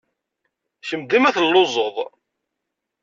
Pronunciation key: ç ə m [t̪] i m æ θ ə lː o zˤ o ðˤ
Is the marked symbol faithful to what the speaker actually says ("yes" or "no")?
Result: no